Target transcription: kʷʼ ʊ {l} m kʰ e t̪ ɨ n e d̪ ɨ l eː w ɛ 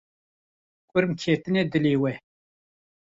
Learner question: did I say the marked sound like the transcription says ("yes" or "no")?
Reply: no